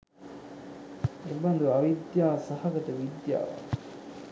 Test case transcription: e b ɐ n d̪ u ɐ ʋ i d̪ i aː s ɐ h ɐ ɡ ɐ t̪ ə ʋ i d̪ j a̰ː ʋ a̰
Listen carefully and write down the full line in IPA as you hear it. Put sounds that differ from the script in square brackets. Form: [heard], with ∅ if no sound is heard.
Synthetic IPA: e b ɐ n d̪ u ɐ ʋ i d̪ [j] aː s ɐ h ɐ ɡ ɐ t̪ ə ʋ i d̪ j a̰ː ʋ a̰